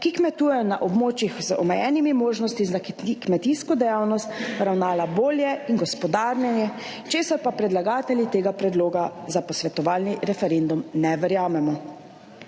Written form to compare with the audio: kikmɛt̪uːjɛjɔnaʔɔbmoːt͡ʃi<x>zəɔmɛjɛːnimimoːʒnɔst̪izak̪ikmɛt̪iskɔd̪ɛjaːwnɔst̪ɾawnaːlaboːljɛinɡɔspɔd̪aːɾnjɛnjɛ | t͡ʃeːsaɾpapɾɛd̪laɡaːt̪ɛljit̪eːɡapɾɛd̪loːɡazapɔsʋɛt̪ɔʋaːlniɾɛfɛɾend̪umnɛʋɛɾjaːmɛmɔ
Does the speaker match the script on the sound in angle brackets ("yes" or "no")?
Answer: yes